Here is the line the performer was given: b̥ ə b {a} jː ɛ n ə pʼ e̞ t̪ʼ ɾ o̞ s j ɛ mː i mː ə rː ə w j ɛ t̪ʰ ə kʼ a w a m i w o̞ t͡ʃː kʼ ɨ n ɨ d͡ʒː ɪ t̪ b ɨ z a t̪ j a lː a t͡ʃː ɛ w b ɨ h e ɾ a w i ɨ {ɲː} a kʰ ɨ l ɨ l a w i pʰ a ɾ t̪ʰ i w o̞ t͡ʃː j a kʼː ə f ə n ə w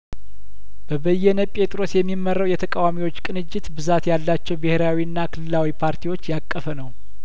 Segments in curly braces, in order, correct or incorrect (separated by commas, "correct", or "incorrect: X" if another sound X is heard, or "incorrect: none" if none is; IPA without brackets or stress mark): incorrect: ə, incorrect: nː